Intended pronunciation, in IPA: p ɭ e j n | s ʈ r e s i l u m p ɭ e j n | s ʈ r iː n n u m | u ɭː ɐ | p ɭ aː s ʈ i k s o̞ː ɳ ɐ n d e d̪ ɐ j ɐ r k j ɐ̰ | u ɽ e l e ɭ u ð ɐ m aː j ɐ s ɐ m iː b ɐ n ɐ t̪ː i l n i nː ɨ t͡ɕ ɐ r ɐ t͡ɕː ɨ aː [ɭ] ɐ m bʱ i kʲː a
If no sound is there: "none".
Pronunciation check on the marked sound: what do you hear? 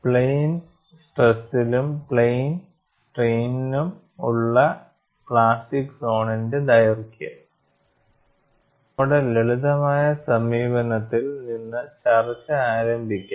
ɾ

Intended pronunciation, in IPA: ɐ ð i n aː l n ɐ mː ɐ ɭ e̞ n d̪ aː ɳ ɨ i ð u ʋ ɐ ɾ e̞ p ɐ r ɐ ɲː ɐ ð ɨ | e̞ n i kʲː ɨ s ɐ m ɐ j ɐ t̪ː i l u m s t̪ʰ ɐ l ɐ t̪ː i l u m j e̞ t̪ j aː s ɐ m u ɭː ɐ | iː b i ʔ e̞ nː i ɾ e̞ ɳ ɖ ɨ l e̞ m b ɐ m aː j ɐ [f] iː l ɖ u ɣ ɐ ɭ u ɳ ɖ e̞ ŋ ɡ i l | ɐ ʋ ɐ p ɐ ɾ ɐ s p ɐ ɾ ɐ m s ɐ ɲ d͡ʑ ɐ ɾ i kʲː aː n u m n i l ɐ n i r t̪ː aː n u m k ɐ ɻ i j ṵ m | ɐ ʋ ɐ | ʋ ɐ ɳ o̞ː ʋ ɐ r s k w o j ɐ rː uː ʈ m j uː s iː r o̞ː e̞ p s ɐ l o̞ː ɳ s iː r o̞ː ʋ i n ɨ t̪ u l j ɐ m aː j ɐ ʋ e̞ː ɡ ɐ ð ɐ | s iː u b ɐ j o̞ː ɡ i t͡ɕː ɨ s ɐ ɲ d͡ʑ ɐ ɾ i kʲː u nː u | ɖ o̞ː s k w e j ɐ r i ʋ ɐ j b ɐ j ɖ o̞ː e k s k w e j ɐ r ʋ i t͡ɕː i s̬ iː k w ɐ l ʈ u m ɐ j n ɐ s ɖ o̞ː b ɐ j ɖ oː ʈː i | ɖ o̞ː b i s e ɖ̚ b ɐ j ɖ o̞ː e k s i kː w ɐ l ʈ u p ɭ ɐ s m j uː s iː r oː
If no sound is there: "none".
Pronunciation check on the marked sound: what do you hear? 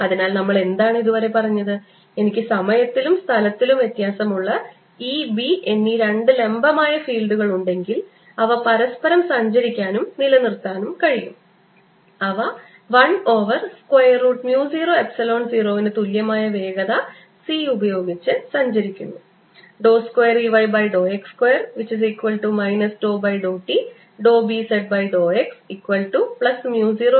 f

